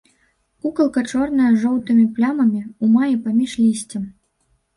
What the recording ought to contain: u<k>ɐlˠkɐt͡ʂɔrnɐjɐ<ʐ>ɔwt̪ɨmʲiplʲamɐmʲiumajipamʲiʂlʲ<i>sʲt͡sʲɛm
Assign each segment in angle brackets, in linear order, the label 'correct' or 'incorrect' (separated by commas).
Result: correct, correct, correct